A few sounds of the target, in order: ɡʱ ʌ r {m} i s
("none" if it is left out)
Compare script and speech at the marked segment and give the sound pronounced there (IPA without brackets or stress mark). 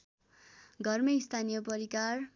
m